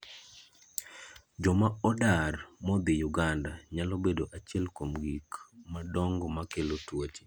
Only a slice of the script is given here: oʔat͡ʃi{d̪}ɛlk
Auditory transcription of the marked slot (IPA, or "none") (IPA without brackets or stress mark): none